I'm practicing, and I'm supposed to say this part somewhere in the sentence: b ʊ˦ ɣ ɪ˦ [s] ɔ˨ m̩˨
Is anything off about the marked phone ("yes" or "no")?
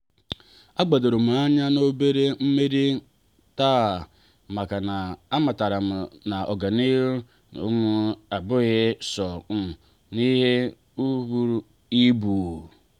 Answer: no